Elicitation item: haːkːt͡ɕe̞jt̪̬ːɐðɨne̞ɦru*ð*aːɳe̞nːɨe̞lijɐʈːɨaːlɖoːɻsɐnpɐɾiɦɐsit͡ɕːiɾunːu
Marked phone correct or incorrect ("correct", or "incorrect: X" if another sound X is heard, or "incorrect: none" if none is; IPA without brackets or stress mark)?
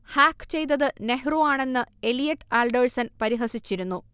incorrect: none